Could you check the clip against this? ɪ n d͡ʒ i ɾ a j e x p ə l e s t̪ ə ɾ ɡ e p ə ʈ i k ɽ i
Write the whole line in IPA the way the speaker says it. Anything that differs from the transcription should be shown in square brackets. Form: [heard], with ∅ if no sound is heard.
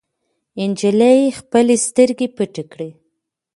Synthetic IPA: ɪ n d͡ʒ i [l] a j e x p ə l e s t̪ ə ɾ ɡ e p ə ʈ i k ɽ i